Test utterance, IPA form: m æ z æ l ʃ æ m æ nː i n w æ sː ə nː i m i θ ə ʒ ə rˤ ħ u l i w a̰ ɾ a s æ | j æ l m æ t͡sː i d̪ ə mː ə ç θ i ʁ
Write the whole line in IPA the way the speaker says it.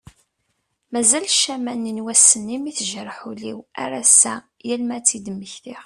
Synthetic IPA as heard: m æ z æ l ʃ æ m æ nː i n w æ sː ə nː i m i θ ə ʒ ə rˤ ħ u l i w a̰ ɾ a s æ | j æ l m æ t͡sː i d̪ ə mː ə ç θ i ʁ